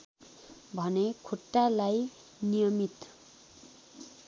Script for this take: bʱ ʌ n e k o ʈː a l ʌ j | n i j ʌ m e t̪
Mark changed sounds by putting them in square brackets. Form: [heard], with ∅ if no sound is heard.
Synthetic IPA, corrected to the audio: bʱ ʌ n e [kʰ] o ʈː a l [a] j | n i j ʌ m [i] t̪